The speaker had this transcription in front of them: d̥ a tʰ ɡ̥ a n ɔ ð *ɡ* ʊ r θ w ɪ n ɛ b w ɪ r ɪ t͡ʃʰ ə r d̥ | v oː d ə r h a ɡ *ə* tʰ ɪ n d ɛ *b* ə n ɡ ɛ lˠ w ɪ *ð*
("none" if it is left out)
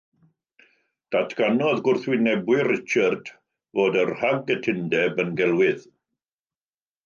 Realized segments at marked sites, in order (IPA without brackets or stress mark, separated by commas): ɡ, ə, b, ð